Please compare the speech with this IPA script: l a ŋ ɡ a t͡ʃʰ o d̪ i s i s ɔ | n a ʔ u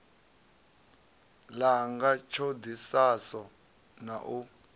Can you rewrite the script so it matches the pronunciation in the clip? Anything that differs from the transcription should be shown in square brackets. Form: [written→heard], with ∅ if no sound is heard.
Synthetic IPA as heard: l a ŋ ɡ a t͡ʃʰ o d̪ i s [i→a] s ɔ | n a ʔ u